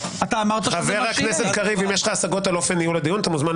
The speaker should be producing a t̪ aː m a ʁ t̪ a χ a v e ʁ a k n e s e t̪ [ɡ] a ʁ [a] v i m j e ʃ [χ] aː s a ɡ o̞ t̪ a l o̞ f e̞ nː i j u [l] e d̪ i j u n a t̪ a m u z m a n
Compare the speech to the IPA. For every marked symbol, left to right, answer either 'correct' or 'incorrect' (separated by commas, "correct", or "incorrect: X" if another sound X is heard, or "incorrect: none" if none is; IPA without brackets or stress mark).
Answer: incorrect: k, incorrect: i, correct, correct